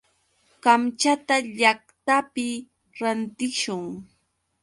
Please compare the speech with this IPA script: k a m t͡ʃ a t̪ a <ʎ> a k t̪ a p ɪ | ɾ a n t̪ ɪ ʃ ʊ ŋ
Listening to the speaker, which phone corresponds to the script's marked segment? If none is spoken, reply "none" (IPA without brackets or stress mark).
ʎ